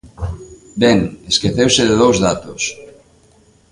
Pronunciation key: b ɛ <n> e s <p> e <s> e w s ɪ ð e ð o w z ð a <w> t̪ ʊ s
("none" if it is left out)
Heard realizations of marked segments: ŋ, k, θ, none

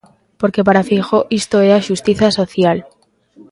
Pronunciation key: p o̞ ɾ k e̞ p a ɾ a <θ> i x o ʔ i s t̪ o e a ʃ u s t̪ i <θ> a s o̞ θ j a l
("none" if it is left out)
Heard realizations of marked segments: f, θ

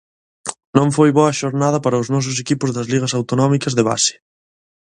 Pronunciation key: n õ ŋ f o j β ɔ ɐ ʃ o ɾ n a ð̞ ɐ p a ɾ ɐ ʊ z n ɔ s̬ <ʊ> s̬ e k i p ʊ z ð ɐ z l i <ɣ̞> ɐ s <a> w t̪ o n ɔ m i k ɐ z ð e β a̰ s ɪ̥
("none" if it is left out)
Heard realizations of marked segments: ʊ, ɣ̞, a

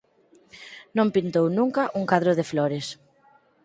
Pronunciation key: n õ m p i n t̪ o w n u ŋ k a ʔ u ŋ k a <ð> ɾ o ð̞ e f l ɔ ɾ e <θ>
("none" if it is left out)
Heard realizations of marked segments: ð, s

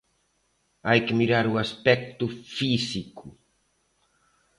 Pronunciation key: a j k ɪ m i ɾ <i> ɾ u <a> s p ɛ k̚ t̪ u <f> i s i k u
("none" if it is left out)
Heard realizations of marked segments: a, a, f

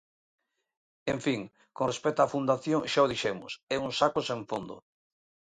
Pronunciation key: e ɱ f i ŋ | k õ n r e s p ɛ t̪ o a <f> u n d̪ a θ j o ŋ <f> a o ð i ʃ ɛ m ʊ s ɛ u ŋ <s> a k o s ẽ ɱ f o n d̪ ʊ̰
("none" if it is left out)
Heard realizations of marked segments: f, ʃ, s

